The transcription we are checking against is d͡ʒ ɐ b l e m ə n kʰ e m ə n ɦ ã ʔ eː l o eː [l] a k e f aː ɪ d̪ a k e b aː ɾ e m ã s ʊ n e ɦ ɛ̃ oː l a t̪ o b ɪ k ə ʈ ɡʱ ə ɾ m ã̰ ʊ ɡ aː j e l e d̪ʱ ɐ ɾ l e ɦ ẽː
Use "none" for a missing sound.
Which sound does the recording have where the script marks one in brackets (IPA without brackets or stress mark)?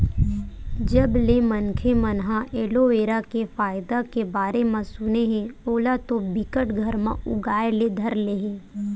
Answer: ɾ